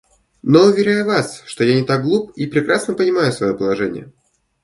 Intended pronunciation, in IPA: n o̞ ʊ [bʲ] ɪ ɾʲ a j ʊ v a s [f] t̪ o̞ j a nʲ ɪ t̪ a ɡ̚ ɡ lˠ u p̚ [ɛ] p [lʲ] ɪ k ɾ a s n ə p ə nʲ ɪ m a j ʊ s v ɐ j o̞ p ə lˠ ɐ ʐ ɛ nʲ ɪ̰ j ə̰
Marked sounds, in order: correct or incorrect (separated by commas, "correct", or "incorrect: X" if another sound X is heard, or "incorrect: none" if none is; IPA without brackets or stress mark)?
incorrect: vʲ, incorrect: ʂ, incorrect: i, incorrect: ɾʲ